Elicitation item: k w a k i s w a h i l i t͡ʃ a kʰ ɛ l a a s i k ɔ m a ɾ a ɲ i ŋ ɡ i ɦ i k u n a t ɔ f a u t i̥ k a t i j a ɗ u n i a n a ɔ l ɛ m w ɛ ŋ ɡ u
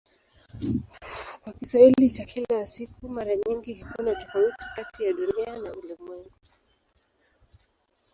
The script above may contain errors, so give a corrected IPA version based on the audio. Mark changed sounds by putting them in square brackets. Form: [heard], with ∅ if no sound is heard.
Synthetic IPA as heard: k w a k i s w a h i l i t͡ʃ a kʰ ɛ l a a s i k [u] m a ɾ a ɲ i ŋ ɡ i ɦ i k u n a t ɔ f a u t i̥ k a t i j a ɗ u n i a n a [u] l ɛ m w ɛ ŋ ɡ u